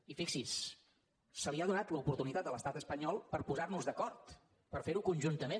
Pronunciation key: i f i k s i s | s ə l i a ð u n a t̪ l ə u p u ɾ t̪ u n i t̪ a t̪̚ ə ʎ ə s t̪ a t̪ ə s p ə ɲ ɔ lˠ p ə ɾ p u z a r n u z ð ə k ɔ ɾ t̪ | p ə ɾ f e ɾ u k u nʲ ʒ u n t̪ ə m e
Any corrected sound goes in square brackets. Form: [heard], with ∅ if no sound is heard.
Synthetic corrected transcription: i f i k s i s | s ə l i a ð u n a t̪ l ə u p u ɾ t̪ u n i t̪ a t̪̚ ə [l] ə s t̪ a t̪ ə s p ə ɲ ɔ lˠ p ə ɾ p u z a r n u z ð ə k ɔ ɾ t̪ | p ə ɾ f e ɾ u k u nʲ ʒ u n t̪ ə m e